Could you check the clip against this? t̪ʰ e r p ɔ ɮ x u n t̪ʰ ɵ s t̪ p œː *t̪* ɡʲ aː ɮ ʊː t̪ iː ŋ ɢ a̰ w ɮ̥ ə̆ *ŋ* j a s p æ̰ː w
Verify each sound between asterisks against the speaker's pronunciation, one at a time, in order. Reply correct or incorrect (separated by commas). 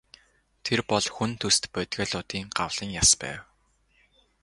correct, correct